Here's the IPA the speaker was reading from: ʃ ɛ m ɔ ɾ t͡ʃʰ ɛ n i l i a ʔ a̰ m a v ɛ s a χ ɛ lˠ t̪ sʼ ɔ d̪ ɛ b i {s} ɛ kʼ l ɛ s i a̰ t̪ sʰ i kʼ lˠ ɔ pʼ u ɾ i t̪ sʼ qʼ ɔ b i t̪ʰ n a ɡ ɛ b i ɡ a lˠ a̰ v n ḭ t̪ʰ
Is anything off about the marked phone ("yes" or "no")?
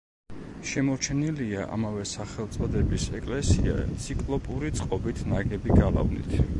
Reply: no